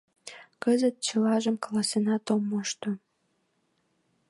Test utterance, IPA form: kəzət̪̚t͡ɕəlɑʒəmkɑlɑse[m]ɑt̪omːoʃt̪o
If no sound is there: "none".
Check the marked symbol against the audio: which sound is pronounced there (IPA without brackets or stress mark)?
n